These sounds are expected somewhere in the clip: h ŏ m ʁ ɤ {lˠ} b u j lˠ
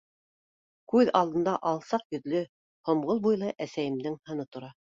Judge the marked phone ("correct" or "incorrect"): correct